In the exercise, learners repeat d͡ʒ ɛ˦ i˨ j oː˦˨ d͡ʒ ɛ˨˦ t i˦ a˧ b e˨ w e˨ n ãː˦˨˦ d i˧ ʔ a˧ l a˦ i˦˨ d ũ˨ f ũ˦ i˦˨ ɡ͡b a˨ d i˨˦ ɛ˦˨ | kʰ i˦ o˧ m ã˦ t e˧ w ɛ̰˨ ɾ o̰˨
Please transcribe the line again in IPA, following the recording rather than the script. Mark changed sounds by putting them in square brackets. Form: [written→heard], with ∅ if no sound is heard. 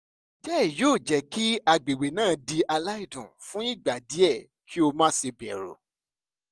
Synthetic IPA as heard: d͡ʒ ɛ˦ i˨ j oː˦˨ d͡ʒ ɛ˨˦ [t→k] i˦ a˧ [b→ɡ͡b] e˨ w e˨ n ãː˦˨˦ d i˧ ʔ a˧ l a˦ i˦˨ d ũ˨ f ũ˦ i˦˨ ɡ͡b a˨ d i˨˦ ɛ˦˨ | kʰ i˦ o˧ m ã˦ [t→s] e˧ [w→b] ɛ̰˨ ɾ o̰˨